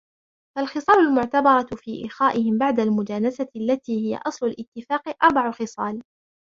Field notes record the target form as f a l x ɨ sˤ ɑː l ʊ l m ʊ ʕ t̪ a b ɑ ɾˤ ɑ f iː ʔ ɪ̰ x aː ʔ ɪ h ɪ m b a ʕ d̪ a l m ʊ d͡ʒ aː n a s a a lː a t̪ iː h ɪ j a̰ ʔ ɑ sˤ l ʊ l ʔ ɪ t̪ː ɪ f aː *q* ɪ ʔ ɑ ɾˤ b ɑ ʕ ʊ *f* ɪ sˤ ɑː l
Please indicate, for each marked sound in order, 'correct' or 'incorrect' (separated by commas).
correct, incorrect